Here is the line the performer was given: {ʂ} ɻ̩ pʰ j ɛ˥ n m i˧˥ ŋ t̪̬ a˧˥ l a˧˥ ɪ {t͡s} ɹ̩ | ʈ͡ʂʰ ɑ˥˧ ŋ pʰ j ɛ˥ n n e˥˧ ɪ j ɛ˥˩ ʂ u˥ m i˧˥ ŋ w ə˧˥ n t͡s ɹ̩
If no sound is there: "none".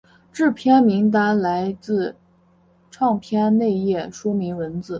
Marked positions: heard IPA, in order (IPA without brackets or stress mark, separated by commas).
ʈ͡ʂ, t͡s